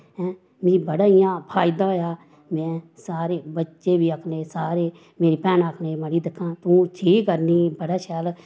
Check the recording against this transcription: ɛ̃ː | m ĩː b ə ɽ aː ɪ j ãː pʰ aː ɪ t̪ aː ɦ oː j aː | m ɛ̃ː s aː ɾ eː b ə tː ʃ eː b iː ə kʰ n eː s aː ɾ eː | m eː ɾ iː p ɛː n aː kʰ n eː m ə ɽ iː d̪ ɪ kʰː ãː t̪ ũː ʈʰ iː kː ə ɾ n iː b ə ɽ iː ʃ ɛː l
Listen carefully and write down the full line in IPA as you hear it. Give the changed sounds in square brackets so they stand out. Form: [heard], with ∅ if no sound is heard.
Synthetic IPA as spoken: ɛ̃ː | m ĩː b ə ɽ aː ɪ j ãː pʰ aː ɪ [d̪] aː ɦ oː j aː | m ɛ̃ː s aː ɾ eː b ə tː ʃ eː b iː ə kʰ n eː s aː ɾ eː | m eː ɾ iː p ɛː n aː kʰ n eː m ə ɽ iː d̪ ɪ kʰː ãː t̪ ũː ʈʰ iː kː ə ɾ n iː b ə ɽ [aː] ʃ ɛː l